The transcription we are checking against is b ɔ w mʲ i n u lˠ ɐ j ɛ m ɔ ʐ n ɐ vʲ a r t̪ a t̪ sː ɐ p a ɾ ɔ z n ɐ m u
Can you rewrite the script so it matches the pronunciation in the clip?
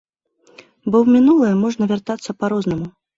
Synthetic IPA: b ɔ w mʲ i n u lˠ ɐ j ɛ m ɔ ʐ n ɐ vʲ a r t̪ a t̪ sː ɐ p a ɾ ɔ z n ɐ m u